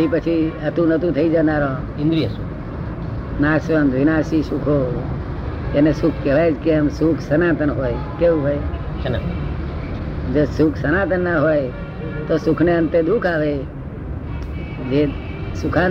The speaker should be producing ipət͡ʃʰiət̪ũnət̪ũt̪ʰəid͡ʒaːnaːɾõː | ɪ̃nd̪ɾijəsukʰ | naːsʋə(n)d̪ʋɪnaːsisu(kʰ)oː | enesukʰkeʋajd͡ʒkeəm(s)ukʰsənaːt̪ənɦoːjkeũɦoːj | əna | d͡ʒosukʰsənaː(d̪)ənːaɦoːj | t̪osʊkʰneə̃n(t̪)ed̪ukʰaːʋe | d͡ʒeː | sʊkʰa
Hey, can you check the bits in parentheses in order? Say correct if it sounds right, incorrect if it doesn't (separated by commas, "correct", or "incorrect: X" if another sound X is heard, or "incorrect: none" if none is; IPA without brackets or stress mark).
correct, correct, correct, incorrect: t̪, correct